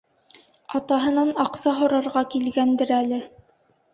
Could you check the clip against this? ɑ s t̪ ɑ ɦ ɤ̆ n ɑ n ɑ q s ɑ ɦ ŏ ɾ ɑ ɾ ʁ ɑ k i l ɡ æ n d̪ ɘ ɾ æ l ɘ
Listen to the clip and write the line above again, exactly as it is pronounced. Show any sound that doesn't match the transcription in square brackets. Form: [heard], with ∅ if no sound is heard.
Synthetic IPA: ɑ [∅] t̪ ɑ ɦ ɤ̆ n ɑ n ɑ q s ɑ ɦ ŏ ɾ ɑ ɾ ʁ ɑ k i l ɡ æ n d̪ ɘ ɾ æ l ɘ